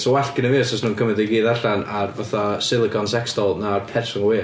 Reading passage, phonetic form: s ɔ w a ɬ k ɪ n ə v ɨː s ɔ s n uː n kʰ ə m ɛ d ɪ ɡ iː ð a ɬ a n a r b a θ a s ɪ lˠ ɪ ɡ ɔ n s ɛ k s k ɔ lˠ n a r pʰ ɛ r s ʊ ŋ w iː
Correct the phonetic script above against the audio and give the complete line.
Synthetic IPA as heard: s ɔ w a ɬ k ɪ n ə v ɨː s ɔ s n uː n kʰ ə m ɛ d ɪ ɡ iː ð a ɬ a n a r v a θ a s ɪ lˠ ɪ ɡ ɔ n s ɛ k s t ɔ lˠ n a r pʰ ɛ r s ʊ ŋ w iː